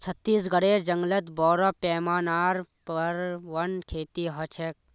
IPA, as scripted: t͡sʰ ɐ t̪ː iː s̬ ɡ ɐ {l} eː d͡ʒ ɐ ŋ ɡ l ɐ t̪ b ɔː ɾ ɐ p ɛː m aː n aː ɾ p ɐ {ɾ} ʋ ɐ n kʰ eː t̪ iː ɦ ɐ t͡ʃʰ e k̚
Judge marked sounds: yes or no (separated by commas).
no, yes